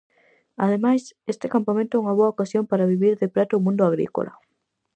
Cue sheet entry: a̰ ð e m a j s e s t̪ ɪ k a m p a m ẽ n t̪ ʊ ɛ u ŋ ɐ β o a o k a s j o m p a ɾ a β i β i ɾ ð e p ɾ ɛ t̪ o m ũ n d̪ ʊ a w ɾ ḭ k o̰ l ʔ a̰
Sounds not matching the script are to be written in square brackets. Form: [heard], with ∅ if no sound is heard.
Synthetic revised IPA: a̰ ð e m a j s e s t̪ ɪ k a m p a m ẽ n t̪ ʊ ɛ u ŋ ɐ β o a o k a s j o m p a ɾ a β i β i ɾ ð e p ɾ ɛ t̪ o m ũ n d̪ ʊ a [ɣ] ɾ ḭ k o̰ l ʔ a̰